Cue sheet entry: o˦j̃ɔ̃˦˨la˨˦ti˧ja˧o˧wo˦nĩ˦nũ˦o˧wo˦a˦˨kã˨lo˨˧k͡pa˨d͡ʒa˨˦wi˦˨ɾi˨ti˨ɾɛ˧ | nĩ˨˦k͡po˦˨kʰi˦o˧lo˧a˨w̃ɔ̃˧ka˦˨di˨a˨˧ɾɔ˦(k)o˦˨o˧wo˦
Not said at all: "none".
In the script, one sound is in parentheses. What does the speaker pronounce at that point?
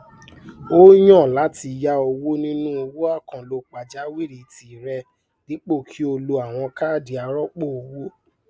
k͡p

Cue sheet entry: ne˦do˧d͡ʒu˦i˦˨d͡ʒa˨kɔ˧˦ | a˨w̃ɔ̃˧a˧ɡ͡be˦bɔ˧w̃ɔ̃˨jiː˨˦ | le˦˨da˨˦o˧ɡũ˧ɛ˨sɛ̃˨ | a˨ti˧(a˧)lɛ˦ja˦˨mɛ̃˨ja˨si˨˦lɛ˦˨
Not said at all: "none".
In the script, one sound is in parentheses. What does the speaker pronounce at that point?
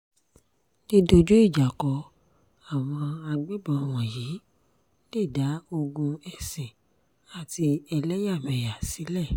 ɛ˧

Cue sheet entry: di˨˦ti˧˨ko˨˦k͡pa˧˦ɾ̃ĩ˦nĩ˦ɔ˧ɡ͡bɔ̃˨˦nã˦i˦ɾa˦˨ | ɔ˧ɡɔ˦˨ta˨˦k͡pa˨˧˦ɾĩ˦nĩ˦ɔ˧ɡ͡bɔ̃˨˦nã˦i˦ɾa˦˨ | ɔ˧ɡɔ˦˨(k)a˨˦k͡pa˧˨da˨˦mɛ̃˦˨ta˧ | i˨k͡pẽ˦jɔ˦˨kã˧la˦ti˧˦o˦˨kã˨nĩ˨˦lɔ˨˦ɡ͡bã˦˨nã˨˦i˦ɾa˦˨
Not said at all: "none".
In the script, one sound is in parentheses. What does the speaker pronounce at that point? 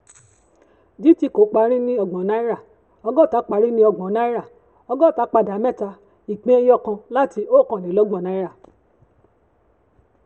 t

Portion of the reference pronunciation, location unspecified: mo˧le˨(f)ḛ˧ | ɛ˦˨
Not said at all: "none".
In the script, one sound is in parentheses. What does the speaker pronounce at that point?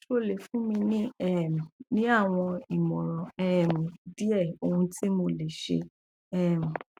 ʃ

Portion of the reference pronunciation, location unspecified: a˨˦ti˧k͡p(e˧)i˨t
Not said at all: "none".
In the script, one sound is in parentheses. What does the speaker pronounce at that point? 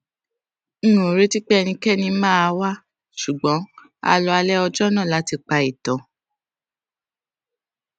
a˧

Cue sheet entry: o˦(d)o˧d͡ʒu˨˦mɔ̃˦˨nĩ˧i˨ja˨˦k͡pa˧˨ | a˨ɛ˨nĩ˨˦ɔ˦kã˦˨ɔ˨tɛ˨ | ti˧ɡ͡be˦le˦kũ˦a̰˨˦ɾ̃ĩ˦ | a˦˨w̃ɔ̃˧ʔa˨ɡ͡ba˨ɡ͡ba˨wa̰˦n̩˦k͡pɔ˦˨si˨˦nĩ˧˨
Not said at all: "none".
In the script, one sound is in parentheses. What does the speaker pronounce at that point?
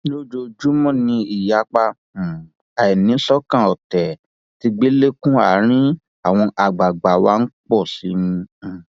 d͡ʒ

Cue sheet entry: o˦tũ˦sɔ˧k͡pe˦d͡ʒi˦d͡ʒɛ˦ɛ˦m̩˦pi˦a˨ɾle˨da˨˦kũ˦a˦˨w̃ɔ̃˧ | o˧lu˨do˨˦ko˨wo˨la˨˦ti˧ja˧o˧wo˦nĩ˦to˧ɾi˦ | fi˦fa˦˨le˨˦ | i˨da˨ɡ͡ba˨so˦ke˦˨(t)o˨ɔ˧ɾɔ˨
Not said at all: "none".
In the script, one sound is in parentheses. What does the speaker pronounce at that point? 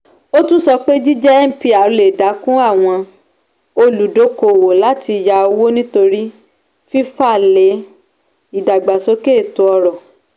t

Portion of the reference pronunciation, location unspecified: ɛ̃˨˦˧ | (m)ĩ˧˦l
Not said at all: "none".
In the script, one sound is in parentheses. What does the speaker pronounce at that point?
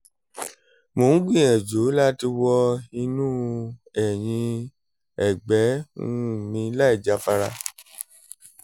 m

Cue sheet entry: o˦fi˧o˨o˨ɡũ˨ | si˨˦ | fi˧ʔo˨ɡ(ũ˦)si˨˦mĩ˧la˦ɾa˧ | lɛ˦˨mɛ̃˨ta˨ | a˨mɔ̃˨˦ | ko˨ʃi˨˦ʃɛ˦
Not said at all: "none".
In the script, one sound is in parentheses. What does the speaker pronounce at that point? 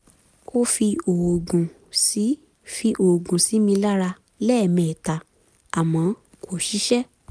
ũ˨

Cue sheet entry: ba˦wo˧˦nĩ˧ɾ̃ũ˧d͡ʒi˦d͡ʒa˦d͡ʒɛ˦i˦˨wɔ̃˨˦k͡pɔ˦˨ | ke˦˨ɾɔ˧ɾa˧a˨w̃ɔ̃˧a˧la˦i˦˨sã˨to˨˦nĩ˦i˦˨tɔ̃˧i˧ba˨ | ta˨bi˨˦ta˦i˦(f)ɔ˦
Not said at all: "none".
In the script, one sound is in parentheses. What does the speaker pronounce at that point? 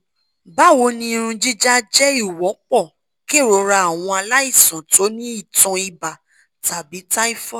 f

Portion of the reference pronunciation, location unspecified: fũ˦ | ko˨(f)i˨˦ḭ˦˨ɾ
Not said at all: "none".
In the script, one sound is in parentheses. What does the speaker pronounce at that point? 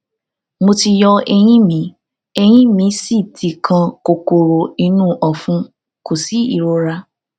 s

